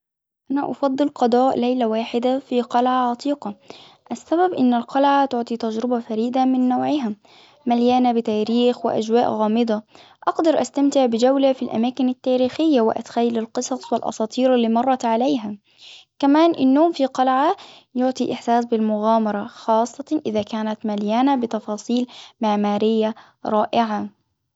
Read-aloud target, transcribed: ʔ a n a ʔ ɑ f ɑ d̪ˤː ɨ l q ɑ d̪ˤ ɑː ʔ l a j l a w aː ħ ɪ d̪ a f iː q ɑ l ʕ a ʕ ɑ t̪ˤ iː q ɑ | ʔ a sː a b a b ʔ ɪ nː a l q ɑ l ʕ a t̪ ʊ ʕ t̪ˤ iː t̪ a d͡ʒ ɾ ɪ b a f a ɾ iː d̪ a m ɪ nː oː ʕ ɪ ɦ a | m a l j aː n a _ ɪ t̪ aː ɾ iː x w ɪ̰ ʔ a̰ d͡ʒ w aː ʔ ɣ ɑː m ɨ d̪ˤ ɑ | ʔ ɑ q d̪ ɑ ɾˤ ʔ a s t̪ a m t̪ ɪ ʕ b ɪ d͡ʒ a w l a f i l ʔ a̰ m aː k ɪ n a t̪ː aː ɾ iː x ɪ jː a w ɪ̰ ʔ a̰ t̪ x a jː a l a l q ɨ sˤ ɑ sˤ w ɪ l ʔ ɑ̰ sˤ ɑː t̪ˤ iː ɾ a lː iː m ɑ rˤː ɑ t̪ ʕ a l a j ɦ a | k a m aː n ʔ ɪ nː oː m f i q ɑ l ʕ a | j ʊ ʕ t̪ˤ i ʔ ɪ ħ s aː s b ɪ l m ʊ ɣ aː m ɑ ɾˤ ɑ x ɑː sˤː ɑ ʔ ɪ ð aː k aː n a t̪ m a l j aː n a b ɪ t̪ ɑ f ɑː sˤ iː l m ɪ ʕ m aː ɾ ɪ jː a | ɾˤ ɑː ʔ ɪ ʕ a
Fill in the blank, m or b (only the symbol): b